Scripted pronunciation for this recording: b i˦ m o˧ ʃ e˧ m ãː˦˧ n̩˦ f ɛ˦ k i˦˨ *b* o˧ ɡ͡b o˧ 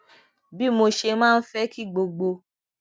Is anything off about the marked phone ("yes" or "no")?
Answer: yes